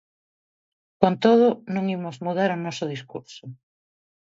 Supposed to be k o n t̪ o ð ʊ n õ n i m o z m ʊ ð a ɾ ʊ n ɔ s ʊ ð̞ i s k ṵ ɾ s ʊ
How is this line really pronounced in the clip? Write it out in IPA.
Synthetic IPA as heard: k o n t̪ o ð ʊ n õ ŋ i m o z m u ð a ɾ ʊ n ɔ s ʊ ð̞ i s k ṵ ɾ s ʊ